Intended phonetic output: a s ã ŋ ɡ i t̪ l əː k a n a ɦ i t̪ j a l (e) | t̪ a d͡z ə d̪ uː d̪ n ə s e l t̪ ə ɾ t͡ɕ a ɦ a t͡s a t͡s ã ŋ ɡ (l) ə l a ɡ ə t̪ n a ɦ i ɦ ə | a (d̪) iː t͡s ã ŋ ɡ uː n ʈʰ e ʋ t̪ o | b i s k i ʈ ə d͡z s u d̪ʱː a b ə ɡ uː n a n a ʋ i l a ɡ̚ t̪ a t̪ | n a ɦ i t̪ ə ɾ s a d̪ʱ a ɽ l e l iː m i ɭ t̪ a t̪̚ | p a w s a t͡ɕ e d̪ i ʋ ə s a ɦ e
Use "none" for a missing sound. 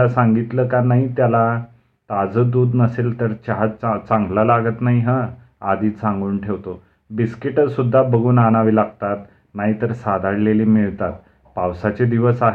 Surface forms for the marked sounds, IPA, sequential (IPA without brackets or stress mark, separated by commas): a, l, d̪